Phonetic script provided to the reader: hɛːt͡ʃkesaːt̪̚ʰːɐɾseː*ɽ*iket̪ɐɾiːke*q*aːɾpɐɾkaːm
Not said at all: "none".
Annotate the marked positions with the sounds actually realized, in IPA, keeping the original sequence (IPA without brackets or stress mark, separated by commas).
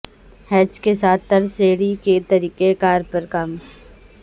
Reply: ɽ, k